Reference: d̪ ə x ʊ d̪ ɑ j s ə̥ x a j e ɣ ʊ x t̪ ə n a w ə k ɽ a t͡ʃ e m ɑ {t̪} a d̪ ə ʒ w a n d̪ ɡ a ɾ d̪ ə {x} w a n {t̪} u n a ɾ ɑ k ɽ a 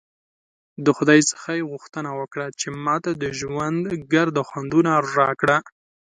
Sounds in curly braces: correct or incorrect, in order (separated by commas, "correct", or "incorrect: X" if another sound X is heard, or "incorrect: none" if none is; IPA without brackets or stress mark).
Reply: correct, correct, incorrect: d̪